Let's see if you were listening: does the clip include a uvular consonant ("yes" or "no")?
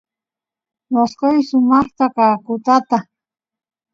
yes